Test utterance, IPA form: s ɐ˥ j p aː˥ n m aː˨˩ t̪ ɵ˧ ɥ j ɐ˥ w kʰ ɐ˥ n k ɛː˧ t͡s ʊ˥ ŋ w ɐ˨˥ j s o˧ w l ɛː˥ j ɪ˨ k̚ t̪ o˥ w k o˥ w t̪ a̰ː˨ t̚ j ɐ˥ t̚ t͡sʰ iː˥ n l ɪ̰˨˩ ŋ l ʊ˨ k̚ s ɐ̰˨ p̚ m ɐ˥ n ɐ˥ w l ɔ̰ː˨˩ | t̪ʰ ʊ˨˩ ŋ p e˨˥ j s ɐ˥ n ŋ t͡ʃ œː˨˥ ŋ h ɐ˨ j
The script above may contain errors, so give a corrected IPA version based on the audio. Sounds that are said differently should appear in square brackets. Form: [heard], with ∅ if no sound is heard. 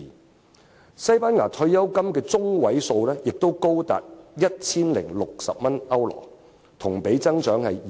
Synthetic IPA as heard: s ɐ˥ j p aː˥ n [ŋ] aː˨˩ [t̪ʰ] ɵ˧ ɥ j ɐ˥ w [k] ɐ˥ [m] k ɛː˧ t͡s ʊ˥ ŋ w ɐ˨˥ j s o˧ w l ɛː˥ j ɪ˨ k̚ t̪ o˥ w k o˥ w t̪ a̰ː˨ t̚ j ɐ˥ t̚ t͡sʰ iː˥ n l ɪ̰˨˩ ŋ l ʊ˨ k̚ s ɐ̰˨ p̚ m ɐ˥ n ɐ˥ w l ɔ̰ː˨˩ | t̪ʰ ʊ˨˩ ŋ p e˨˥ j [t͡s] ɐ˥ [∅] ŋ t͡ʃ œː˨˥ ŋ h ɐ˨ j